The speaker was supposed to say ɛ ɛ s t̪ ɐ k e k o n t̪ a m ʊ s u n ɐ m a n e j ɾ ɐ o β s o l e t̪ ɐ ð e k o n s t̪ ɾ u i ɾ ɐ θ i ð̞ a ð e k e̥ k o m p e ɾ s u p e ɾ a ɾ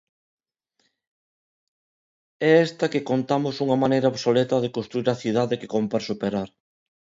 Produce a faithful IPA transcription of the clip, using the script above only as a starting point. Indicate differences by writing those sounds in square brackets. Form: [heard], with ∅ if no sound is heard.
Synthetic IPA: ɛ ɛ s t̪ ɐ k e k o n t̪ a m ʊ s u [ŋ] ɐ m a n e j ɾ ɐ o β s o l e t̪ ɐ ð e k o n s t̪ ɾ u i ɾ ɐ θ i ð̞ a ð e k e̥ k o m p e ɾ s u p e ɾ a ɾ